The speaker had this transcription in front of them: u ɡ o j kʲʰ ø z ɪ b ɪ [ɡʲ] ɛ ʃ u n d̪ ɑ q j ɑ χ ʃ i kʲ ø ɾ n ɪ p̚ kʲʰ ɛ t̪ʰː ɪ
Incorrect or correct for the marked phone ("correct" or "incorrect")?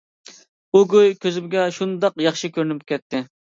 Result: correct